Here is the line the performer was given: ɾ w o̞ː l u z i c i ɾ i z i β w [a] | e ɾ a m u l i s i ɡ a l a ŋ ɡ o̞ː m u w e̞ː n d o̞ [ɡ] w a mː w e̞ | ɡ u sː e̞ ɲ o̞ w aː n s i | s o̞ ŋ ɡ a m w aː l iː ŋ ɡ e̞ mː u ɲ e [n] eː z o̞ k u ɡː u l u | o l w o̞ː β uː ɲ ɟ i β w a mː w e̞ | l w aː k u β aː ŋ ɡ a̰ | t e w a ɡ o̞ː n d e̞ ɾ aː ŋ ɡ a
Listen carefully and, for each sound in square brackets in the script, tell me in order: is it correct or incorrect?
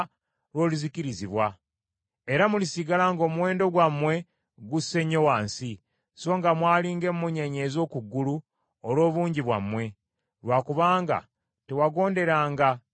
correct, correct, incorrect

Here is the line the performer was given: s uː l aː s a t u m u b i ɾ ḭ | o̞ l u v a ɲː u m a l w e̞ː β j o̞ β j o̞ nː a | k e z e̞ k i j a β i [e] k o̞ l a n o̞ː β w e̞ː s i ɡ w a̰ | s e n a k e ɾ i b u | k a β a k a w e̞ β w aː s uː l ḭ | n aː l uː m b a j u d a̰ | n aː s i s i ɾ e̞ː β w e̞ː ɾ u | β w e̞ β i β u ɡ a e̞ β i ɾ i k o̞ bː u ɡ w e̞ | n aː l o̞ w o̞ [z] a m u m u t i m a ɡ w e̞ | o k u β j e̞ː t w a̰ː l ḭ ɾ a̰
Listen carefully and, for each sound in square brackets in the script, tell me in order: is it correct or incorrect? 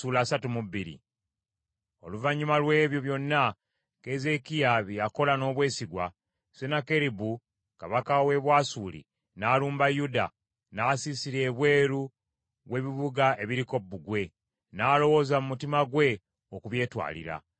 incorrect, correct

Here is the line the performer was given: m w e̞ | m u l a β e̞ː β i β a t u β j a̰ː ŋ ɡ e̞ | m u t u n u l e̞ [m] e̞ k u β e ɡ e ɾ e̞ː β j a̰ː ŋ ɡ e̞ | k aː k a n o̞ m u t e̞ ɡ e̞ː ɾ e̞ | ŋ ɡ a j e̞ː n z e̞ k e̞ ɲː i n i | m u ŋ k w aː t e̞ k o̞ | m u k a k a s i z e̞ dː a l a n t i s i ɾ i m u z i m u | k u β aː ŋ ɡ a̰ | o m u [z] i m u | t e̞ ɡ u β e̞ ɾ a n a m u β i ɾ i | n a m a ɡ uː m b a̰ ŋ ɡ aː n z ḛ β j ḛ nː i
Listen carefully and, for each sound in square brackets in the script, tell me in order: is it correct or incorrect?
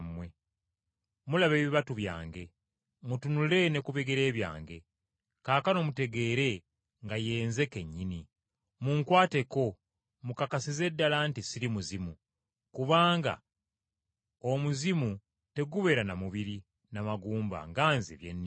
incorrect, correct

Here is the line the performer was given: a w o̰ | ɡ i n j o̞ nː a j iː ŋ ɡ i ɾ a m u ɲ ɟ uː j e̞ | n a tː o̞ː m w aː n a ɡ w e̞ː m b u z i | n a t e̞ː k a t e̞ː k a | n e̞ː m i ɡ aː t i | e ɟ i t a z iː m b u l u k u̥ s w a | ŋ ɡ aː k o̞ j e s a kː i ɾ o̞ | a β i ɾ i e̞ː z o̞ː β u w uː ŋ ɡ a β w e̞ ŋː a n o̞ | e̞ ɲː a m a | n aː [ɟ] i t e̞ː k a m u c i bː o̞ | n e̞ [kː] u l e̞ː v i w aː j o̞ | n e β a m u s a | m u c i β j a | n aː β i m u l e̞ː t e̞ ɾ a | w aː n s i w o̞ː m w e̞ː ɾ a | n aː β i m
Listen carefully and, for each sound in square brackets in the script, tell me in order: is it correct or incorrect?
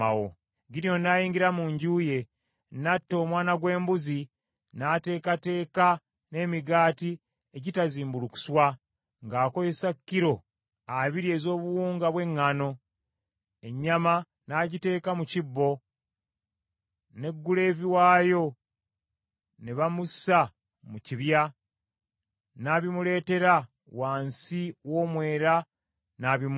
correct, incorrect

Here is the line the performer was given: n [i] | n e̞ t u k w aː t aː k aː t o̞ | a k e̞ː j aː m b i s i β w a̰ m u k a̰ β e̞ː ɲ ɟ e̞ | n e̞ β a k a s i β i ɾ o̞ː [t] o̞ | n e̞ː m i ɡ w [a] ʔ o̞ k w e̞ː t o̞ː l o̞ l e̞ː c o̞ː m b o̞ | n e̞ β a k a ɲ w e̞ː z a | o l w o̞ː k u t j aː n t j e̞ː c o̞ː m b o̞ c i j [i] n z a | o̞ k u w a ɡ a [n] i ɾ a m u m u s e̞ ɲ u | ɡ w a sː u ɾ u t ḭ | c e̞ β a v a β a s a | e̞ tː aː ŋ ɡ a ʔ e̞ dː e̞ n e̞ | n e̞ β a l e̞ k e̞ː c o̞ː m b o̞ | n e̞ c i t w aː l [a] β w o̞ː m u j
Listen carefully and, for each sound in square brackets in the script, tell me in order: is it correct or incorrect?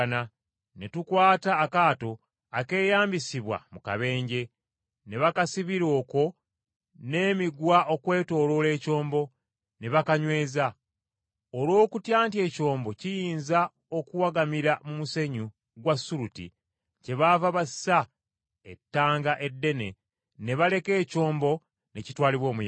incorrect, incorrect, correct, incorrect, incorrect, incorrect

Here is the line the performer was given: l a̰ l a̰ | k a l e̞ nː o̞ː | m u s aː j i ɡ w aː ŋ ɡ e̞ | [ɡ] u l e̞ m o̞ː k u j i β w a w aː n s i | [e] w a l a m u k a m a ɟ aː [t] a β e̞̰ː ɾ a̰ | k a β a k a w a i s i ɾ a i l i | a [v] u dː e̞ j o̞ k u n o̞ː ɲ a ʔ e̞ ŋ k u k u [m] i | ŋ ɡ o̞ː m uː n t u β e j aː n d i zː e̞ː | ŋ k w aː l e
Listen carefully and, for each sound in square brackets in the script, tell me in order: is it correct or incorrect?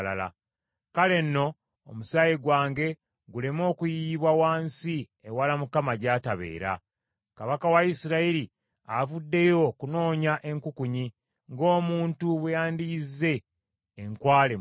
correct, correct, correct, correct, incorrect

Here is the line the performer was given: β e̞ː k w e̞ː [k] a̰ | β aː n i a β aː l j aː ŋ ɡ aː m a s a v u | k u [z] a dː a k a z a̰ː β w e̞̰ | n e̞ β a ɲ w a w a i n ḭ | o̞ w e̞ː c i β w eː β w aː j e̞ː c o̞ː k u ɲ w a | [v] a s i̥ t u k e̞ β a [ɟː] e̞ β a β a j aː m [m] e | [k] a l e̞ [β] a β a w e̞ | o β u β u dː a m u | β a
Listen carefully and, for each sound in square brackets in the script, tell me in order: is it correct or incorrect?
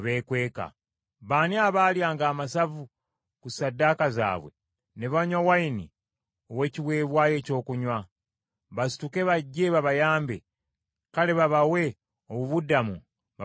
correct, incorrect, incorrect, correct, incorrect, correct, correct

